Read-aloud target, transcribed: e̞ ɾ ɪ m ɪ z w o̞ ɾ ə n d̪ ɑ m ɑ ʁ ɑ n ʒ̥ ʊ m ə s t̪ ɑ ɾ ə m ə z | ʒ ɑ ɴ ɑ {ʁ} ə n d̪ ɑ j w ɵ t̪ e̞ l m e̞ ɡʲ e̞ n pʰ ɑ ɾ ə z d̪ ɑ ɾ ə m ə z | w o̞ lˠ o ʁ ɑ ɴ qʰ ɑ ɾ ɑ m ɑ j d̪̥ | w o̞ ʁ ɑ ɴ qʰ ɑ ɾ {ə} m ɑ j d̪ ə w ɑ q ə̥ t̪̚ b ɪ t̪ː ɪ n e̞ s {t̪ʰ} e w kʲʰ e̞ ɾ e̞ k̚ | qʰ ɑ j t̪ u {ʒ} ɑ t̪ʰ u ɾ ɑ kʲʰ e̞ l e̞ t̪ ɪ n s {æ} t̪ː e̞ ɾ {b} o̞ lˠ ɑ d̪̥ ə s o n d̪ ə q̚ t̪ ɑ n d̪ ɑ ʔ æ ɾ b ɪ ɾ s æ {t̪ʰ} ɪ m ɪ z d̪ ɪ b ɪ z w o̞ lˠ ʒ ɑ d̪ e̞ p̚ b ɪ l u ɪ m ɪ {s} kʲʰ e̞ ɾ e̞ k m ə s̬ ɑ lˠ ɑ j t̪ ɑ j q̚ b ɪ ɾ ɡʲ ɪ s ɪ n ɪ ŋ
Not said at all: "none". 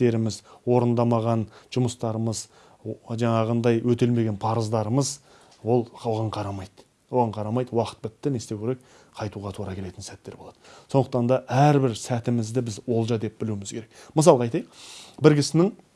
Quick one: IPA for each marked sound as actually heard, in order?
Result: ʁ, ɑ, t̪, ʁ, æ, b, t̪, z

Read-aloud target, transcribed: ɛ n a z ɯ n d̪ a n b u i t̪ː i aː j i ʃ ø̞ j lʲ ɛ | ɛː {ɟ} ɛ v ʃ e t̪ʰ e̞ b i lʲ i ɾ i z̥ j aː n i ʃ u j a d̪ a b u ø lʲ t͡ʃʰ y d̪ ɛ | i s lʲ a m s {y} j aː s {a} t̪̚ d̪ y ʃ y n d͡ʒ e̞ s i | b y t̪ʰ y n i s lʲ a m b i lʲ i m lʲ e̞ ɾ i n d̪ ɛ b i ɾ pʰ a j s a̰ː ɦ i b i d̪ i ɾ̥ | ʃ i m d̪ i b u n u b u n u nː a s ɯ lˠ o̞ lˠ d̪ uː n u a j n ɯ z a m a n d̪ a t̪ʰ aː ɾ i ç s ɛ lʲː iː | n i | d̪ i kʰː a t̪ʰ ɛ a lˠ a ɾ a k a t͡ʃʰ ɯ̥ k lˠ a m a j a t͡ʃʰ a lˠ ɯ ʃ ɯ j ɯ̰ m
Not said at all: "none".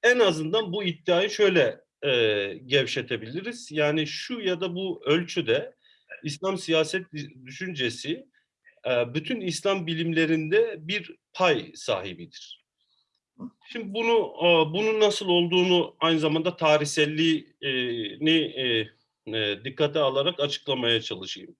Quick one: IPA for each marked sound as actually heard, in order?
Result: ɟ, i, ɛ

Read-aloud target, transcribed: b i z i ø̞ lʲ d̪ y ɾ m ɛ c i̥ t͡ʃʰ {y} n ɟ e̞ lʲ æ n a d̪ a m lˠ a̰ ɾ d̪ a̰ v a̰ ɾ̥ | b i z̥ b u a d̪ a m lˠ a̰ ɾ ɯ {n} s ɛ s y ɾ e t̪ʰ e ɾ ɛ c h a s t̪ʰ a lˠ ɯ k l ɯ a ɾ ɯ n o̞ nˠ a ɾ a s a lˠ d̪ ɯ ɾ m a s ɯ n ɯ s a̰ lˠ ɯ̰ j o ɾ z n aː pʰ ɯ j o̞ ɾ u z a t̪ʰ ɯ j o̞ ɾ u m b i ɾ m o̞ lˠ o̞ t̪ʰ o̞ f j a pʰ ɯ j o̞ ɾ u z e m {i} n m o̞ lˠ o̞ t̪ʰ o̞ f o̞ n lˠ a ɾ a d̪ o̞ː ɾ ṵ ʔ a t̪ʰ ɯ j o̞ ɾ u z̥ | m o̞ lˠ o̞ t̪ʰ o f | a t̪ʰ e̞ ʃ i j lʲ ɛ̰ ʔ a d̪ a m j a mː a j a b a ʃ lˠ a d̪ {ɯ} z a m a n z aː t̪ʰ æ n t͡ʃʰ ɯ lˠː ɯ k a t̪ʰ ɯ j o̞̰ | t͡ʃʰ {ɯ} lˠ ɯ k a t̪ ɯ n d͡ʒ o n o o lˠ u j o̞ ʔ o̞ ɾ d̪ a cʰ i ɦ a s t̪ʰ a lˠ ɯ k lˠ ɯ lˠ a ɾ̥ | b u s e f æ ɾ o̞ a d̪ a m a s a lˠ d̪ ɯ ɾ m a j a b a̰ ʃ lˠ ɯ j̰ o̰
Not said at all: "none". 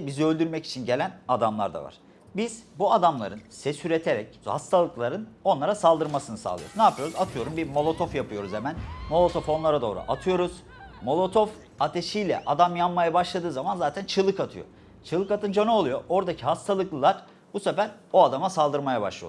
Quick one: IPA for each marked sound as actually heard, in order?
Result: i, n, æ, ɯː, ɯ

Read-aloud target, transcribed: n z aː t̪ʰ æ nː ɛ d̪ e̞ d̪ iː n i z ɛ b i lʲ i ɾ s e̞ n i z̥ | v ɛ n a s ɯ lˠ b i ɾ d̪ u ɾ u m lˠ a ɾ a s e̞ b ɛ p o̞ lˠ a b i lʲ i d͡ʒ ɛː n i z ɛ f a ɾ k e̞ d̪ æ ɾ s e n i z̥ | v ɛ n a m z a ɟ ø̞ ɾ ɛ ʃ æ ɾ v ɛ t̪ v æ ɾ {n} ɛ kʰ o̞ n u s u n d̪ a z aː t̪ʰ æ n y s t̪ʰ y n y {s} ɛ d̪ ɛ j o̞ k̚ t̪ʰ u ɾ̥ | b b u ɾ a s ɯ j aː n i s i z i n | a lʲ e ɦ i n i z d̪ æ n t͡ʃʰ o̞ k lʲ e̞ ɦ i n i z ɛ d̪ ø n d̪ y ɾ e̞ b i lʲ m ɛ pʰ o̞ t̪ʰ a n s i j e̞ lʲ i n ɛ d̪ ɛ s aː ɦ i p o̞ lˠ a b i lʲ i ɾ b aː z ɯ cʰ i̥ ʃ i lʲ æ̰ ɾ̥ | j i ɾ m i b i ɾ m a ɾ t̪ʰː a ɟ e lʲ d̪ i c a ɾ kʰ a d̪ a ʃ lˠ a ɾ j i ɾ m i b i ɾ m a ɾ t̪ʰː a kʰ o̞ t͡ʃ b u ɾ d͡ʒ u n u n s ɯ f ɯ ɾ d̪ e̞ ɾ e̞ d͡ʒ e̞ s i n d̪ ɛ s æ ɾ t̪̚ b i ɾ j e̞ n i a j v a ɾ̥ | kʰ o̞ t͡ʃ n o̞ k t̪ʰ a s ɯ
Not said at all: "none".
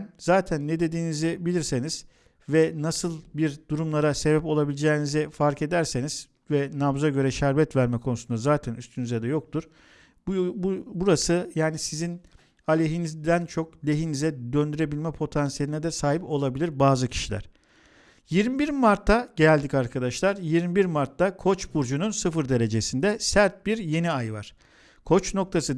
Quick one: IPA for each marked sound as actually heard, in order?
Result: m, z

